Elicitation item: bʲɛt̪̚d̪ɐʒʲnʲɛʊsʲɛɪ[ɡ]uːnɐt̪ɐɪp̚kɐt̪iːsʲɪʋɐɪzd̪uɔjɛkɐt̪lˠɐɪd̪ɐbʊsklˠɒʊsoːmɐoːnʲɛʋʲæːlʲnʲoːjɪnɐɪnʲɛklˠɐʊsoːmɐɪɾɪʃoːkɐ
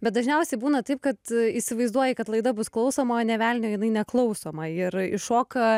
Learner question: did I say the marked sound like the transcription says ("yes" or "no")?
no